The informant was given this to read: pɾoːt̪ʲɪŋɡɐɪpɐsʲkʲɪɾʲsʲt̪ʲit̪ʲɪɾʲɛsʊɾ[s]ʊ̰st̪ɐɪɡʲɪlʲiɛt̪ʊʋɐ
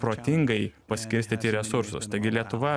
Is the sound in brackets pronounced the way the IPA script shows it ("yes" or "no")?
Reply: yes